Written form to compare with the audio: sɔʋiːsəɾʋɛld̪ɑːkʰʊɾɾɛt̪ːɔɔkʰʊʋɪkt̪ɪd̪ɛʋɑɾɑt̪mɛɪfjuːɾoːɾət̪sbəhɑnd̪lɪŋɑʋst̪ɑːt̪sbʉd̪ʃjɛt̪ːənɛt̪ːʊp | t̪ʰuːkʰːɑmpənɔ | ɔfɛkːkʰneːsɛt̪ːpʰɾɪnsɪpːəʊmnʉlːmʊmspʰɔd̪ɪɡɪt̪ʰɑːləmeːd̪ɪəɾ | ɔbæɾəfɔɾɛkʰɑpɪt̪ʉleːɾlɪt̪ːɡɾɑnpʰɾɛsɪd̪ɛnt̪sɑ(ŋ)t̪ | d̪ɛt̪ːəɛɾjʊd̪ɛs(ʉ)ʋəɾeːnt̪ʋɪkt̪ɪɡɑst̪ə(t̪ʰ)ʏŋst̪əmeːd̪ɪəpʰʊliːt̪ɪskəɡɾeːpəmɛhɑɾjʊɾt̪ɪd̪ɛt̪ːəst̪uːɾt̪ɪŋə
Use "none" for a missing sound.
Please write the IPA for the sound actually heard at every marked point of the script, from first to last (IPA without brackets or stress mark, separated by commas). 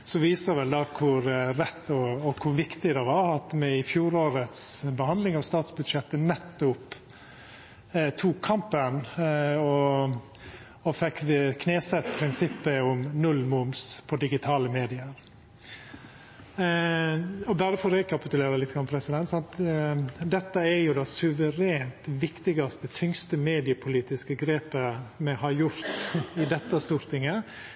n, ʉ, t̪ʰ